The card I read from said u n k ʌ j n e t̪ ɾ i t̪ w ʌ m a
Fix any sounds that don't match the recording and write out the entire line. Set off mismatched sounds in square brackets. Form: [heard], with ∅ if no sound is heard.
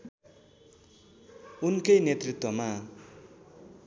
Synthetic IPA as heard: u n k ʌ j n e t̪ [r] i t̪ w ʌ m a